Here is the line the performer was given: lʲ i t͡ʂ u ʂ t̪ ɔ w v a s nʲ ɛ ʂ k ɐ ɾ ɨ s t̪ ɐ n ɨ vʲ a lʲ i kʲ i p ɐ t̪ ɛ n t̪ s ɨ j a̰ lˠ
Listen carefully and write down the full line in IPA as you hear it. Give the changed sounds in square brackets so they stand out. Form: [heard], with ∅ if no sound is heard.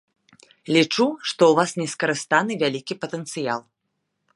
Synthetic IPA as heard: lʲ i t͡ʂ u ʂ t̪ ɔ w v a s nʲ ɛ [s] k ɐ ɾ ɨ s t̪ [a] n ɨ vʲ a lʲ i kʲ i p ɐ t̪ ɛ n t̪ s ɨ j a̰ lˠ